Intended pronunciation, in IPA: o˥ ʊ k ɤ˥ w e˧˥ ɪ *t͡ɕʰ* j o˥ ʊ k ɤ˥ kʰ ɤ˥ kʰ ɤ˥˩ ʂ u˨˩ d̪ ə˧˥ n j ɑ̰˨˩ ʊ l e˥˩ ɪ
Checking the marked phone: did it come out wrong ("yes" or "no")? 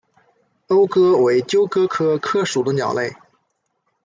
yes